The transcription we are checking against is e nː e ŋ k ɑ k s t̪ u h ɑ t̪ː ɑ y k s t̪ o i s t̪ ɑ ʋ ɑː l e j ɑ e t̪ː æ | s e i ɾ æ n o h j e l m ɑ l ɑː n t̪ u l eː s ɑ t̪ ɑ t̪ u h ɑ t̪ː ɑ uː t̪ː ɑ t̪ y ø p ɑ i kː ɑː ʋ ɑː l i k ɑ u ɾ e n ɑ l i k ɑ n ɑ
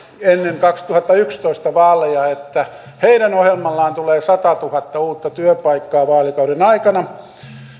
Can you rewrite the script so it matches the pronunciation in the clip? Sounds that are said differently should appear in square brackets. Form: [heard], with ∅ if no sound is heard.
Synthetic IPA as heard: e nː e ŋ k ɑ k s t̪ u h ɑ t̪ː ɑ y k s t̪ o i s t̪ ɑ ʋ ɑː l e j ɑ e t̪ː æ | [h] e i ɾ æ n o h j e l m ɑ [lː] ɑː n t̪ u l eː s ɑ t̪ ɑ t̪ u h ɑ t̪ː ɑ uː t̪ː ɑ t̪ y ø p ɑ i kː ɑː ʋ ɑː l i k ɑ u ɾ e n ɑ [∅] i k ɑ n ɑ